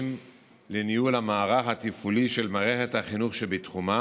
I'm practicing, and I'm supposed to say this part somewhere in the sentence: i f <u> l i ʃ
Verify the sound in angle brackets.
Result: correct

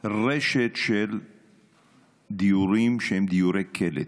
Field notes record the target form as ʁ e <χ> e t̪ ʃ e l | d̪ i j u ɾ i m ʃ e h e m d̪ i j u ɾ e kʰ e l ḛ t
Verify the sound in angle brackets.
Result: incorrect: ʃ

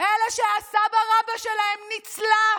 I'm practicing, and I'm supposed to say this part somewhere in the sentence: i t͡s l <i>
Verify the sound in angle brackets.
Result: incorrect: a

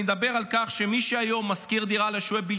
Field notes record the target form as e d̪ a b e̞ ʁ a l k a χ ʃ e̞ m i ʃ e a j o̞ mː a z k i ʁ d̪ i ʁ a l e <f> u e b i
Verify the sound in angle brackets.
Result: incorrect: ʃ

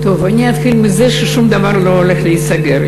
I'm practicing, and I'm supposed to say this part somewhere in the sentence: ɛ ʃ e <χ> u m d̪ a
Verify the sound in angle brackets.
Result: incorrect: ʃ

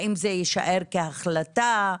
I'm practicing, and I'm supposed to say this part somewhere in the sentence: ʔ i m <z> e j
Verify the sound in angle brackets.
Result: correct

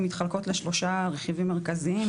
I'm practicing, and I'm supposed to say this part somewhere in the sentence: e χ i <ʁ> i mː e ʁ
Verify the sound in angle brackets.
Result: incorrect: v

